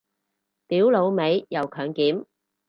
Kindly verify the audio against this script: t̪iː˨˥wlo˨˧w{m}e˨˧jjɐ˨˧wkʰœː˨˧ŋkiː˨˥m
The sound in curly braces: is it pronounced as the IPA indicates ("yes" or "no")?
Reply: yes